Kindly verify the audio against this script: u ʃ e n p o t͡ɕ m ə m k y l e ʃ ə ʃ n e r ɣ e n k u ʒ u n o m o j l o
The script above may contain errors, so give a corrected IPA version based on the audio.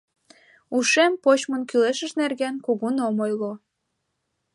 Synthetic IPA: u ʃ e m p o t͡ɕ m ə n k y l e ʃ ə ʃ n e r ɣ e n k u ɣ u n o m o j l o